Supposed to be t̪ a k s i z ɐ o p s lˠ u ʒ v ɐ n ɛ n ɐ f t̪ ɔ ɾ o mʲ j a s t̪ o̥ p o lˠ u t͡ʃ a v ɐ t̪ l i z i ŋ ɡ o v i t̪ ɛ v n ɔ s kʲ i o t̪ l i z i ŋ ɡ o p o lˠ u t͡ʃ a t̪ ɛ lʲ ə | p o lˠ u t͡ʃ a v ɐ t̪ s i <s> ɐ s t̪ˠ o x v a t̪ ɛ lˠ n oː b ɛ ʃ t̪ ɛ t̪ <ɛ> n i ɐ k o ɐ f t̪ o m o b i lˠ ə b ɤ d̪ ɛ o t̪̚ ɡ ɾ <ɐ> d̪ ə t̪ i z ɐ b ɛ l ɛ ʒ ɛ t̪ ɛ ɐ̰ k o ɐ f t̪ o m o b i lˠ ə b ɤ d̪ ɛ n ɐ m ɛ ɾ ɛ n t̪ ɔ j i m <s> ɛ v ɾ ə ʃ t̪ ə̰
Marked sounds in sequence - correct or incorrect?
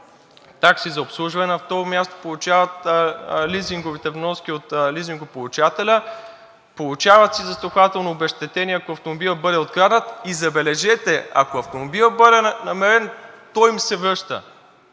incorrect, correct, incorrect, correct

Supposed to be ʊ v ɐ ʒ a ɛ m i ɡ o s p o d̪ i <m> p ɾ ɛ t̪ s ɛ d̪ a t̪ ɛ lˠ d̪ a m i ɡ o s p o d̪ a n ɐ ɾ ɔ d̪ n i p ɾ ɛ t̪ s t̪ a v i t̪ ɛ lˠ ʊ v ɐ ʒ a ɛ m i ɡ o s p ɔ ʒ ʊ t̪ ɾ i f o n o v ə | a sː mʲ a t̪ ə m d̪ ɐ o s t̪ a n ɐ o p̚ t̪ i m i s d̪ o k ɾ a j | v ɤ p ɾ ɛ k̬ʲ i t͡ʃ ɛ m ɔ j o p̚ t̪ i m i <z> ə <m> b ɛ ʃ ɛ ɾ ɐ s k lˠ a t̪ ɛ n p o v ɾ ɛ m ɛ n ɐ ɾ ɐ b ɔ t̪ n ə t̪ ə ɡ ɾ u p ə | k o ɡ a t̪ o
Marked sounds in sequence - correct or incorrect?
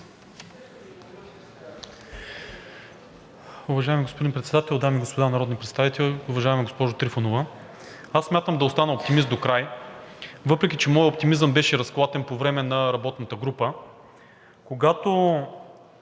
incorrect, correct, correct

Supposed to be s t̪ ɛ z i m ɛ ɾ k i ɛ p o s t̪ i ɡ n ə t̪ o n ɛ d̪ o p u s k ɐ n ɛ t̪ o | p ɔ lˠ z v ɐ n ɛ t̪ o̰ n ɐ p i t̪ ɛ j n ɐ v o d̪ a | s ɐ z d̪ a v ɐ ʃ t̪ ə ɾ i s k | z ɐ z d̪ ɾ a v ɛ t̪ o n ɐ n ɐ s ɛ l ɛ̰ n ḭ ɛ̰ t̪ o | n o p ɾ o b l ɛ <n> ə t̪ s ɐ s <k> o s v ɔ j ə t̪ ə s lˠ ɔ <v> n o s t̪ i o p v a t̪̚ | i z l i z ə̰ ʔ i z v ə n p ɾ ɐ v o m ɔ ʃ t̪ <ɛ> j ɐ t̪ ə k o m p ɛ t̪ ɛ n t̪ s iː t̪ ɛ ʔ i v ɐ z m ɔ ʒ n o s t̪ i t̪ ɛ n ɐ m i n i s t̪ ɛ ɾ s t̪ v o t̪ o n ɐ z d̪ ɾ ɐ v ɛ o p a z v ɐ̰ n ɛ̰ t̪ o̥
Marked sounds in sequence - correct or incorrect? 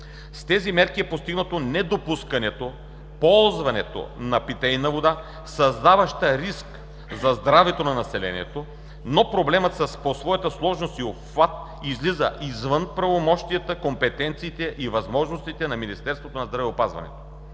incorrect, incorrect, incorrect, incorrect

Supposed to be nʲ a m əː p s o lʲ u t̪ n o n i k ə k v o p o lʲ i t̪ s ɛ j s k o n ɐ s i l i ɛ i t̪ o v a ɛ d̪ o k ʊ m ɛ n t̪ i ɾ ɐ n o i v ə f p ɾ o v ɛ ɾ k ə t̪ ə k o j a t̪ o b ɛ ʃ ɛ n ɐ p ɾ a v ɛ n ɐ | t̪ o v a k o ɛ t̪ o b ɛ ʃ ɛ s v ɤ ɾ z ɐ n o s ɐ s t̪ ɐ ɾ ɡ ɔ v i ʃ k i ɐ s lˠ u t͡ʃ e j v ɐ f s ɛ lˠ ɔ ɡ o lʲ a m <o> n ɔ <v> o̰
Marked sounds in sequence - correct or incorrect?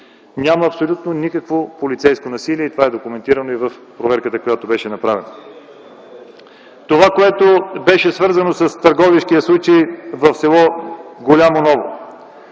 correct, correct

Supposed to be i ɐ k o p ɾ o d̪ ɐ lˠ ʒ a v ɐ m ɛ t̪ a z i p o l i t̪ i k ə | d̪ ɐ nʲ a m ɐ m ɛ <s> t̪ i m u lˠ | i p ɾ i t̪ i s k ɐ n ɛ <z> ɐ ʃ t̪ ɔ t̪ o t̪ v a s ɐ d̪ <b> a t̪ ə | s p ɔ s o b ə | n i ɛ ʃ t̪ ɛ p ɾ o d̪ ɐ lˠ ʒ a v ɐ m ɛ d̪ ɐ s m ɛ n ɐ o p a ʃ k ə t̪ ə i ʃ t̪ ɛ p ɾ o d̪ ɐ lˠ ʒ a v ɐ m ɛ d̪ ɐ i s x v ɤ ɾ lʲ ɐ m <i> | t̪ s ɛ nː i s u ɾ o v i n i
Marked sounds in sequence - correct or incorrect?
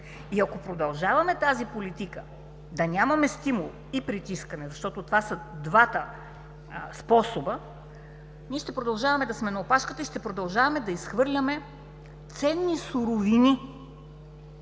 correct, correct, incorrect, incorrect

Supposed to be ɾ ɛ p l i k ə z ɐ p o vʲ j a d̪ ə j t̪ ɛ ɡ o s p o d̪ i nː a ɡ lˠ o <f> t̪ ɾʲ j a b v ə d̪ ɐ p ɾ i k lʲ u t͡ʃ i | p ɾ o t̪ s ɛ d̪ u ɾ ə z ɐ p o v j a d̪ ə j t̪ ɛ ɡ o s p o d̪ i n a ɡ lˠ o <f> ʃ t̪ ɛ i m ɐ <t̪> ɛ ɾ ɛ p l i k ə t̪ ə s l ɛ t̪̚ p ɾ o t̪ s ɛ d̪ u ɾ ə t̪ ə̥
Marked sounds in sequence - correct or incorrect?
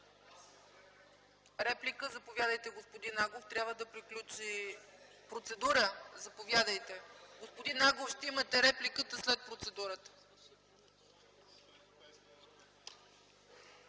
correct, correct, correct

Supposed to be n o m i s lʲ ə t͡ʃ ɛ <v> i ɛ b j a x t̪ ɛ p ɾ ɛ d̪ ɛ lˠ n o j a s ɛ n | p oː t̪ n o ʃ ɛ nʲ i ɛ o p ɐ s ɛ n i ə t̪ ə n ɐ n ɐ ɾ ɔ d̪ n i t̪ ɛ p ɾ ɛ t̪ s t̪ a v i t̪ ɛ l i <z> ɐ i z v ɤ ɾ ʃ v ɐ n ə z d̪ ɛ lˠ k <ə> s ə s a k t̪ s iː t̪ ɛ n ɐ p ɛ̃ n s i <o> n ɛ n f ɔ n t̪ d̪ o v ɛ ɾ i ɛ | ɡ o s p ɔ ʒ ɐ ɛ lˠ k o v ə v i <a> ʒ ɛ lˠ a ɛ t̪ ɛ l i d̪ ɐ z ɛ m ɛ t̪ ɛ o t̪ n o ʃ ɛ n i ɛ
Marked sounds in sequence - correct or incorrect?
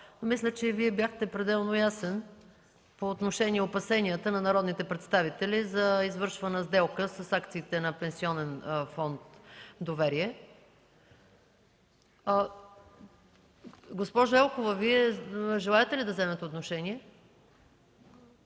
correct, correct, correct, incorrect, incorrect

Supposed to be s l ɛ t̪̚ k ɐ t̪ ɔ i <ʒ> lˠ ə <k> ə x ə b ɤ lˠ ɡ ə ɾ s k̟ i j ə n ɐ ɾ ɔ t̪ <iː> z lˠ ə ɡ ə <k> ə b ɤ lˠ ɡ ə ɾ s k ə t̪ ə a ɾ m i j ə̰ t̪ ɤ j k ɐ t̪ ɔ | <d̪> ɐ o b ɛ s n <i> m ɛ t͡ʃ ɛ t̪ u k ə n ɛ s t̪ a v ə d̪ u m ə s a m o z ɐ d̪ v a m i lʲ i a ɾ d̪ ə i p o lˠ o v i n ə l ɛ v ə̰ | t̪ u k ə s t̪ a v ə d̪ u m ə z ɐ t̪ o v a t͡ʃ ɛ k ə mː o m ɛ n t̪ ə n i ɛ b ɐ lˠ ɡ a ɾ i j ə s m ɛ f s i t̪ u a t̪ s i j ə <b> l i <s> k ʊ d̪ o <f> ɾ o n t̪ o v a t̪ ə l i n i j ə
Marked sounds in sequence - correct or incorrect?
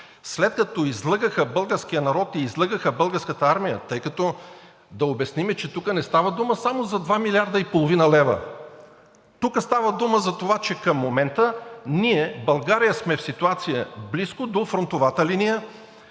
incorrect, incorrect, correct, incorrect, correct, correct, correct, correct, correct

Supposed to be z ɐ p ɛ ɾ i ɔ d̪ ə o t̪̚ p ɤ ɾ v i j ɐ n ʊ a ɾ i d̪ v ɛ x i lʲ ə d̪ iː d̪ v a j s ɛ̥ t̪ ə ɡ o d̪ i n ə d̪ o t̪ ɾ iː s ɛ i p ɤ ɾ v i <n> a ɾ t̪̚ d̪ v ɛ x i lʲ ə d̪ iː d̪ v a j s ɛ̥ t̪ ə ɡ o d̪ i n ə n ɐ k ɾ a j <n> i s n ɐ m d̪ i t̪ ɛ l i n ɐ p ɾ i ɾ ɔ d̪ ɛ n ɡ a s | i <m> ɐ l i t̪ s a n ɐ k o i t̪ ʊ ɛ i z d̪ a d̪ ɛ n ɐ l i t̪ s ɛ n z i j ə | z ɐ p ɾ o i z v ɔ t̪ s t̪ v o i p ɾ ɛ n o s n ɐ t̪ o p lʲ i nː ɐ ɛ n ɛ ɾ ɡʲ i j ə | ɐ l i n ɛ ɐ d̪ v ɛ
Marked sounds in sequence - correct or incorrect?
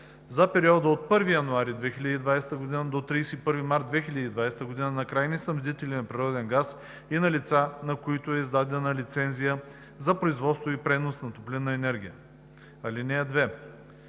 incorrect, correct, incorrect

